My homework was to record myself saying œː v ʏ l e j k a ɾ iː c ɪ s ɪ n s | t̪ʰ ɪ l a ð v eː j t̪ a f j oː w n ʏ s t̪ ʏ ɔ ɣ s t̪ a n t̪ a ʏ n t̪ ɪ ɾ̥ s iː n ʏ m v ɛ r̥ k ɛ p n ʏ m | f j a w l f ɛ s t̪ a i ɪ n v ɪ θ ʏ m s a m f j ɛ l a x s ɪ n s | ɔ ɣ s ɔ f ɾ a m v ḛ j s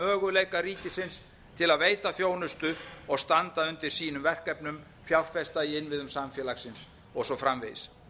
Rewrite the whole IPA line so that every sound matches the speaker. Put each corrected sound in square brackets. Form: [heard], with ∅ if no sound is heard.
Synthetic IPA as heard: œː [ɣ] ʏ l e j k a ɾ iː c ɪ s ɪ n s | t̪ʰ ɪ l a ð v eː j t̪ a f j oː w n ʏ s t̪ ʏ ɔ ɣ s t̪ a n t̪ a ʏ n t̪ ɪ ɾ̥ s iː n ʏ m v ɛ r̥ k ɛ p n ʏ m | f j a w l f ɛ s t̪ a i ɪ n v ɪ [ð] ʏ m s a m f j ɛ l a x s ɪ n s | ɔ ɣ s ɔ f ɾ a m v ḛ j s